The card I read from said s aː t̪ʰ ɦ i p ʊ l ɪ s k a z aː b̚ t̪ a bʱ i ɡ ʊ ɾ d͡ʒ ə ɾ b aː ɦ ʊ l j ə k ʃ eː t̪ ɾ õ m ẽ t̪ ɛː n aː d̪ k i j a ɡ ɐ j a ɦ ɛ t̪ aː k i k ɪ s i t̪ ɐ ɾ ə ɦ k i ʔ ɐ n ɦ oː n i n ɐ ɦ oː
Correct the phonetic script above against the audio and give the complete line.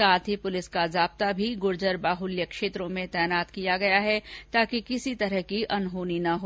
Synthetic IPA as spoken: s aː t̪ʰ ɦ i p ʊ l ɪ s k a z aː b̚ t̪ a bʱ i ɡ ʊ ɾ d͡ʒ ə ɾ b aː ɦ ʊ l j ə k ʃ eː t̪ ɾ õ m ẽ t̪ ɛː n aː t̪ k i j a ɡ ɐ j a ɦ ɛ t̪ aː k i k ɪ s i t̪ ɐ ɾ ə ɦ k i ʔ ɐ n ɦ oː n i n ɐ ɦ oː